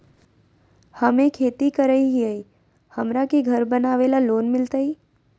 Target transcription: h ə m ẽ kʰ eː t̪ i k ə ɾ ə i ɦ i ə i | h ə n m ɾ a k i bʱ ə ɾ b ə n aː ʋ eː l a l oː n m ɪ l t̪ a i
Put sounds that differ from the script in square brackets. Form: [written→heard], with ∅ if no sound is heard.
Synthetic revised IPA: h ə m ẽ kʰ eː t̪ i k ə ɾ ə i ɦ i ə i | h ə [n→∅] m ɾ a k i [bʱ→ɡʱ] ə ɾ b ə n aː ʋ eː l a l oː n m ɪ l t̪ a i

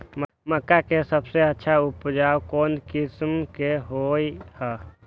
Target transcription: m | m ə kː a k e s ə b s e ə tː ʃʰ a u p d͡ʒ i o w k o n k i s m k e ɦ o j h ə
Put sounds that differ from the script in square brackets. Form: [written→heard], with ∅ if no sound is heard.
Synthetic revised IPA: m | m ə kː a k e s ə b s e ə tː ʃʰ a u p d͡ʒ [i→a] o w k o n k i s m k e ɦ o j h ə

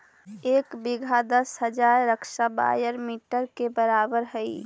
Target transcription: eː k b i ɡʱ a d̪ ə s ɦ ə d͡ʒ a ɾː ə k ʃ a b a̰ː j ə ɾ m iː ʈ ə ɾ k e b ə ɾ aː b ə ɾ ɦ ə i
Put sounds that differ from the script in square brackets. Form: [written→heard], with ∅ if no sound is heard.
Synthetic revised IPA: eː k b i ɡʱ a d̪ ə s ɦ ə d͡ʒ a ɾː ə k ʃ a b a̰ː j ə ɾ m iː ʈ ə ɾ k e b ə ɾ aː b ə ɾ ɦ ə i

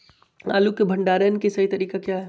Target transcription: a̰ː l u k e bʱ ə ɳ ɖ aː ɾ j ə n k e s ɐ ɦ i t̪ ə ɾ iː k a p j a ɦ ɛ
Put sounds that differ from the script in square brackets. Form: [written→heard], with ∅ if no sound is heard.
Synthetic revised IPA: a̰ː l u k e bʱ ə ɳ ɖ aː ɾ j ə n k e s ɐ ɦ i t̪ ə ɾ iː k a [p→k] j a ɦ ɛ

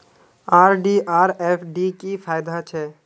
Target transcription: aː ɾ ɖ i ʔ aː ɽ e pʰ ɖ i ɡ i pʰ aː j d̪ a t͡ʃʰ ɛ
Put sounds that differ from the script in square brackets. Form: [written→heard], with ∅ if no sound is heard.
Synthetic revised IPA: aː ɾ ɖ i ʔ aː [ɽ→ɾ] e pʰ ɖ i [ɡ→k] i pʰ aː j d̪ a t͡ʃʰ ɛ

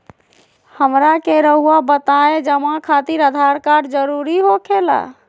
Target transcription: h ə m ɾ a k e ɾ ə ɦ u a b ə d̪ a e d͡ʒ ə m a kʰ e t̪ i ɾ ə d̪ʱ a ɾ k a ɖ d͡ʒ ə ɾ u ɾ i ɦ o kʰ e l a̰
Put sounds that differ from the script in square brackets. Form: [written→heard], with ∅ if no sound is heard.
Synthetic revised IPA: h ə m ɾ a k e ɾ ə ɦ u a b ə [d̪→t̪] a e d͡ʒ ə m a kʰ [e→a] t̪ i ɾ ə d̪ʱ a ɾ k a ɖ d͡ʒ ə ɾ u ɾ i ɦ o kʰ e l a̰

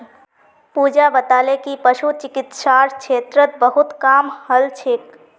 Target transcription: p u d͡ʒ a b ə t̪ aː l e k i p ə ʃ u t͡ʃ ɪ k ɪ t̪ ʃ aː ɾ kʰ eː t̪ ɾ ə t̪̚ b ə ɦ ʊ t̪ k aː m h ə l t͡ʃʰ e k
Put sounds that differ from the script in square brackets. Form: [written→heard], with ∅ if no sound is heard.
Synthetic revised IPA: p u d͡ʒ a b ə t̪ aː l e k i p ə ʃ u t͡ʃ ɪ k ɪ t̪ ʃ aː ɾ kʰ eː t̪ ɾ ə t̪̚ b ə ɦ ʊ t̪ k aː m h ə l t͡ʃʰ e k

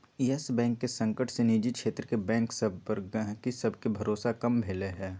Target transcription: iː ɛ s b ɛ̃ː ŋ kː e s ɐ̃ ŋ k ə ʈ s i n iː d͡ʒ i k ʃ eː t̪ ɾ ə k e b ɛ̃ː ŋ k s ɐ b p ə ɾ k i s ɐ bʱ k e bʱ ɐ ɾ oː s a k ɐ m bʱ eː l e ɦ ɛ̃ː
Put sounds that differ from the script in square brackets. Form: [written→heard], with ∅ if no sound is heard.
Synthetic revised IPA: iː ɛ s b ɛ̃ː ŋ kː e s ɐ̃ ŋ k ə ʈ s [i→e] n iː d͡ʒ i k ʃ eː t̪ ɾ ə k e b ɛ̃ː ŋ k s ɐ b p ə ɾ k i s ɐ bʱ k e bʱ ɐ ɾ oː s a k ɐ m bʱ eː l e ɦ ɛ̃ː

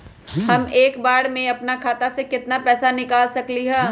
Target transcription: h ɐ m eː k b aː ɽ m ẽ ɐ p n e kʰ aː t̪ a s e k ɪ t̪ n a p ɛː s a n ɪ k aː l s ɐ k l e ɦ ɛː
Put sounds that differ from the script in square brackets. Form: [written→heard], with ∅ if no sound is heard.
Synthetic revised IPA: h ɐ m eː k b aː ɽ m ẽ ɐ p n [e→a] kʰ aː t̪ a s e k ɪ t̪ n a p ɛː s a n ɪ k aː l s ɐ k l [e→i] ɦ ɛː

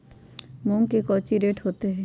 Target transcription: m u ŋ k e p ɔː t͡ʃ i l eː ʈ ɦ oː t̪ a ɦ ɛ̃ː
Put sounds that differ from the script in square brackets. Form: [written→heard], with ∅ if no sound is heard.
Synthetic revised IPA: m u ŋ k e [p→k] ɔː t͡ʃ i [l→ɾ] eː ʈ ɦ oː t̪ [a→e] ɦ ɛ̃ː

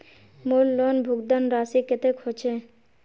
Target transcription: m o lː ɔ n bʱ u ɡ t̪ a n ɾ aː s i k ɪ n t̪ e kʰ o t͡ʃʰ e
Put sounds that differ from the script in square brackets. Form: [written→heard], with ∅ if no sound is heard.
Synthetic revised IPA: m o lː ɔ n bʱ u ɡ [t̪→d̪] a n ɾ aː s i k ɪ [n→∅] t̪ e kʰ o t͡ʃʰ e

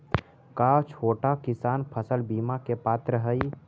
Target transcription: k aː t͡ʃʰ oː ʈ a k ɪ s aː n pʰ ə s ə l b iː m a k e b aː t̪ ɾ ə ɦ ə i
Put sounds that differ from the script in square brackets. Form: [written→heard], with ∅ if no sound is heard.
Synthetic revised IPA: k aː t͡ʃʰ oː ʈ a k ɪ s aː n pʰ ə s ə l b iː m a k e [b→p] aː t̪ ɾ ə ɦ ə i

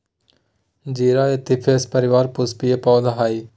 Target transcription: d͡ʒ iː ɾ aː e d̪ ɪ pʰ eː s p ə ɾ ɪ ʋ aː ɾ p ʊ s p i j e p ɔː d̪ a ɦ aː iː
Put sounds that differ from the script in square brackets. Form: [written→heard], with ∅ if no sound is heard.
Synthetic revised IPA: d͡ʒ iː ɾ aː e [d̪→t̪] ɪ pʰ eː s p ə ɾ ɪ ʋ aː ɾ p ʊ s p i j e p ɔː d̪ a ɦ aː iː

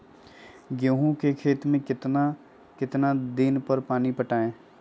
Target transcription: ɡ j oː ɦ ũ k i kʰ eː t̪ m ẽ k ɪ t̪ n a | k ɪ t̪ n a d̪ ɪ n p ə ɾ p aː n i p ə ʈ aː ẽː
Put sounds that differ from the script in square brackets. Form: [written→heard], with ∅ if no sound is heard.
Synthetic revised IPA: ɡ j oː ɦ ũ k [i→e] kʰ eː t̪ m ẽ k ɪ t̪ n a | k ɪ t̪ n a d̪ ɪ n p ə ɾ p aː n i p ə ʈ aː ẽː

